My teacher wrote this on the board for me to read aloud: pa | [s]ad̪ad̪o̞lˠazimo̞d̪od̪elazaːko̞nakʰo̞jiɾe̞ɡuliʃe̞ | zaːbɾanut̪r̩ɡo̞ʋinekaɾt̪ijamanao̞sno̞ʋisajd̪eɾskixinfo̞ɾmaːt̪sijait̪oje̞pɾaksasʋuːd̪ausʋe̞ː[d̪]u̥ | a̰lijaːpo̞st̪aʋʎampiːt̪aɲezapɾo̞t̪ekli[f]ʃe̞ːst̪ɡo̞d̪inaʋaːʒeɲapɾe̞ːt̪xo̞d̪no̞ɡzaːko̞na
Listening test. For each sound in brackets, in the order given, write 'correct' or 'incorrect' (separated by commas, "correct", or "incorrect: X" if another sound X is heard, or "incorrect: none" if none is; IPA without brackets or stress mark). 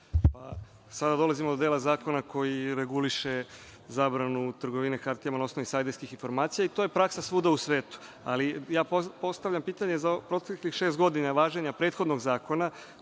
correct, incorrect: t̪, incorrect: x